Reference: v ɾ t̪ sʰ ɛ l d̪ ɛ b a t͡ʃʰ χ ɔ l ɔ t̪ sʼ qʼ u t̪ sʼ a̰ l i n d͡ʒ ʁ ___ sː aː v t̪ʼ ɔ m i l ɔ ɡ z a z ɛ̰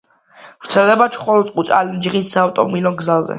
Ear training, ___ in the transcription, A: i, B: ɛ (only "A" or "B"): A